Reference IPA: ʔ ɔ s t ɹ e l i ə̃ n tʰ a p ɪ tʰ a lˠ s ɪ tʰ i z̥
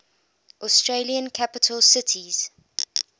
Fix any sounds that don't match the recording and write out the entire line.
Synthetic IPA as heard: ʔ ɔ s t ɹ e l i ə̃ n kʰ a p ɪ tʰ ə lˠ s ɪ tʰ i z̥